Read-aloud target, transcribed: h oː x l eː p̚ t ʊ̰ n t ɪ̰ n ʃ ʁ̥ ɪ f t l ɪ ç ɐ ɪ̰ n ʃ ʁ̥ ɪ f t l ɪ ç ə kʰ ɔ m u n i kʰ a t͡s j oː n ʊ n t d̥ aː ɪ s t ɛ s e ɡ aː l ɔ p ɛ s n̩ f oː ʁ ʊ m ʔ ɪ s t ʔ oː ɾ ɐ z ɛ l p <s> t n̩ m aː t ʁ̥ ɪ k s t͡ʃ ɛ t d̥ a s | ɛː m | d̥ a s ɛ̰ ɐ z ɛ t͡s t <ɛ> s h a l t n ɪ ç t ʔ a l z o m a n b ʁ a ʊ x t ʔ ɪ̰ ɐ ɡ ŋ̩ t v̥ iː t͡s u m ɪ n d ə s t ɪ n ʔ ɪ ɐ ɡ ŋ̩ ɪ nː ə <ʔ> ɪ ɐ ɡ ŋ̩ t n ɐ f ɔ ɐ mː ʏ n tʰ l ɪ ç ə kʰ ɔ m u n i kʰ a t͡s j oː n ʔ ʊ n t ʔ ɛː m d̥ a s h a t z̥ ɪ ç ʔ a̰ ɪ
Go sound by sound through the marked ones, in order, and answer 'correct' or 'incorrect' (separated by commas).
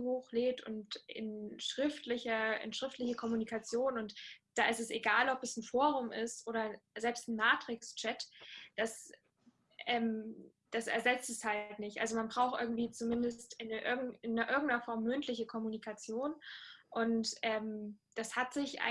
correct, correct, correct